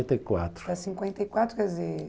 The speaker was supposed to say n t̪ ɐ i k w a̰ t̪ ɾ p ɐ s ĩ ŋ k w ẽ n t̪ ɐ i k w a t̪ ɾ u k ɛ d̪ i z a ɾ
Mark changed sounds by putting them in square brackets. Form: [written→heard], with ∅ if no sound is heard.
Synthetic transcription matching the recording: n t̪ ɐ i k w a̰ t̪ ɾ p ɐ s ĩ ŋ k w ẽ n t̪ ɐ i k w a t̪ ɾ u k ɛ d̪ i z [a→e] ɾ